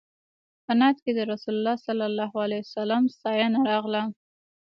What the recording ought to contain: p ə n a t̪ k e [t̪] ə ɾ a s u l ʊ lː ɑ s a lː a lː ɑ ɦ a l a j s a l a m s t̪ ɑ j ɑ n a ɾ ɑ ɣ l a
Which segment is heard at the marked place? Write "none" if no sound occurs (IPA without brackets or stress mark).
d̪